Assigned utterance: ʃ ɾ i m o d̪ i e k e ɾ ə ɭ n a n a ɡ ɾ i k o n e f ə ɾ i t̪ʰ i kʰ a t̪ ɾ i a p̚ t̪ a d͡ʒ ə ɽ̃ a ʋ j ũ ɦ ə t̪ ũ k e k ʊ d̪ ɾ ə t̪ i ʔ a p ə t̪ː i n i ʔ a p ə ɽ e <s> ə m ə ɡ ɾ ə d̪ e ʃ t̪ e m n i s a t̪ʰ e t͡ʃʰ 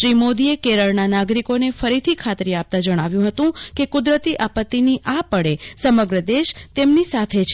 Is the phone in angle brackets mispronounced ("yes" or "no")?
no